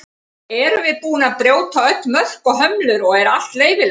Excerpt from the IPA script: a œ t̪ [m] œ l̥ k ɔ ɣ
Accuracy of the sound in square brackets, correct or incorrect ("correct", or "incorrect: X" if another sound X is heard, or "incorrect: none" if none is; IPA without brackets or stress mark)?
correct